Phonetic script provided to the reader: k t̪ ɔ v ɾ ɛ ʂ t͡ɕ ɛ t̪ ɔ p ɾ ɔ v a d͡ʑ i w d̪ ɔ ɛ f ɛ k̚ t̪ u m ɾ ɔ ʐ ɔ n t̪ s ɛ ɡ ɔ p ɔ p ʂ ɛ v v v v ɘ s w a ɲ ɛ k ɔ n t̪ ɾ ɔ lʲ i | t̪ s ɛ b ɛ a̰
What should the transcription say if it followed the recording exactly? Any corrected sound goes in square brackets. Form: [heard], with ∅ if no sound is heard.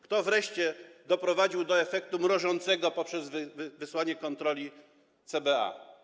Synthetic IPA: k t̪ ɔ v ɾ ɛ ʂ t͡ɕ ɛ [d̪] ɔ p ɾ ɔ v a d͡ʑ i w d̪ ɔ ɛ f ɛ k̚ t̪ u m ɾ ɔ ʐ ɔ n t̪ s ɛ ɡ ɔ p ɔ p ʂ ɛ [z] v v v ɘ s w a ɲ ɛ k ɔ n t̪ ɾ ɔ lʲ i | t̪ s ɛ b ɛ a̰